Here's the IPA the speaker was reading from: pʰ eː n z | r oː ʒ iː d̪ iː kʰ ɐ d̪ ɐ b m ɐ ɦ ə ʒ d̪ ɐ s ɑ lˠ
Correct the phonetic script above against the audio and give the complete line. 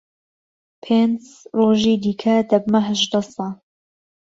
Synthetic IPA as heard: pʰ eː n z | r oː ʒ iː d̪ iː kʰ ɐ d̪ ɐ b m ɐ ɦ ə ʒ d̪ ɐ s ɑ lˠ